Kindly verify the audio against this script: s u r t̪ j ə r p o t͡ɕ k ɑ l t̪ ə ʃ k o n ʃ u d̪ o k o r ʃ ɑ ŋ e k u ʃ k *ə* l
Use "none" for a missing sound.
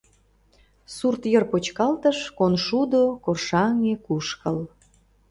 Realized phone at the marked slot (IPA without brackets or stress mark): ə